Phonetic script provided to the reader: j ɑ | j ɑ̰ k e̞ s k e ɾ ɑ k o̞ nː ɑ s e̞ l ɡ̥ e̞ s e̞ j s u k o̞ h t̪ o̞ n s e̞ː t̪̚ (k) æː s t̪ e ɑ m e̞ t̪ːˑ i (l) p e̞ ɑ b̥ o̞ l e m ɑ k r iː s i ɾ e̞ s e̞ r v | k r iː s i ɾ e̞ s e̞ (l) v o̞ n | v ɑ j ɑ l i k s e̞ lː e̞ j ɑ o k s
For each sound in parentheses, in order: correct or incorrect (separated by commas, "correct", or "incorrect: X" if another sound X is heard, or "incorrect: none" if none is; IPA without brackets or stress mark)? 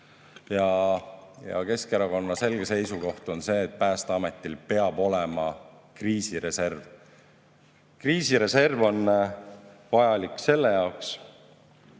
incorrect: p, correct, incorrect: r